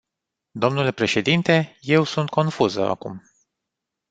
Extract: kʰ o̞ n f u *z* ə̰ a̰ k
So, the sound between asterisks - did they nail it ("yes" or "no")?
yes